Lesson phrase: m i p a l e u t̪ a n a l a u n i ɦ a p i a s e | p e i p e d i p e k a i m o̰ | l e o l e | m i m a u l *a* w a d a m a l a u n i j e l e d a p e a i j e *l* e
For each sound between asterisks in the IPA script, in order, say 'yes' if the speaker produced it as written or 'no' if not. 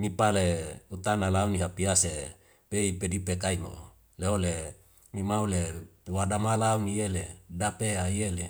no, yes

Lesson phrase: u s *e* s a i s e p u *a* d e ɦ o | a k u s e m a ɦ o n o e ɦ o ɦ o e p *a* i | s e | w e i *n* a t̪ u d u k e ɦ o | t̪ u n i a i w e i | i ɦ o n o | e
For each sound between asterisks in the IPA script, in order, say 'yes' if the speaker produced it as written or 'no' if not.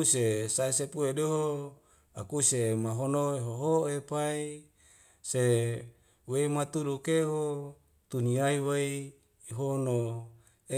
yes, no, yes, no

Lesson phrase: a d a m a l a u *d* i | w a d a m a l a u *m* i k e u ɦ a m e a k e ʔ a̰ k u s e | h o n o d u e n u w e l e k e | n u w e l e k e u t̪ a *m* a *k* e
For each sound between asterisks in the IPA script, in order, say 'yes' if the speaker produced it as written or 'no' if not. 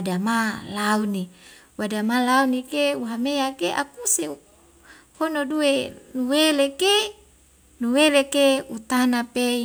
no, no, no, no

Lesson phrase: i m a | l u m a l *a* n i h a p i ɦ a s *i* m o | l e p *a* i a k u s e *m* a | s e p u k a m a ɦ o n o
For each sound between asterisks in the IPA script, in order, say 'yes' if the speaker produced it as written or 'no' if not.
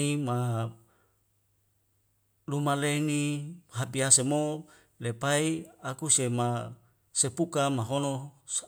no, no, yes, yes

